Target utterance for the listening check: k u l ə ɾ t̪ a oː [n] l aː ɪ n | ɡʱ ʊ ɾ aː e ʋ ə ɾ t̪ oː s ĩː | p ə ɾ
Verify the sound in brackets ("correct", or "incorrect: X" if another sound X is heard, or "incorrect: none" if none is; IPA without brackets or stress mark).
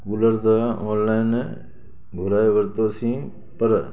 correct